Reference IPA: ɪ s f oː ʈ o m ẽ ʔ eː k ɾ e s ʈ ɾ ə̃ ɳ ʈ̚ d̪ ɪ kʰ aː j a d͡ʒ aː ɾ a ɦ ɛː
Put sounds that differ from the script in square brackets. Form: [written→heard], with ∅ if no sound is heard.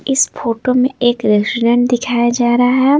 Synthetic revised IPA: ɪ s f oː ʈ o m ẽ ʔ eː k ɾ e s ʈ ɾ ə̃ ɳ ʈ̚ d̪ ɪ kʰ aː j a d͡ʒ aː ɾ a ɦ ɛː